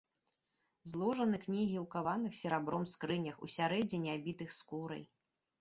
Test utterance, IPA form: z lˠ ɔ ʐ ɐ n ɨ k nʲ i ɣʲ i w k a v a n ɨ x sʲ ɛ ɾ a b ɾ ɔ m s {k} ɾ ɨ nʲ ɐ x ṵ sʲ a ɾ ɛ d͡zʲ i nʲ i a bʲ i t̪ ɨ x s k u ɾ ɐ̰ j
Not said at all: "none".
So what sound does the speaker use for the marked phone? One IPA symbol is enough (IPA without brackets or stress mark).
k